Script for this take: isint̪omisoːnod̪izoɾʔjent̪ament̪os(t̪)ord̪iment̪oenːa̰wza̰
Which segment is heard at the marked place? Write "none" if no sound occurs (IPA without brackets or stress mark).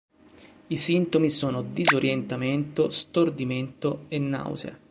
t̪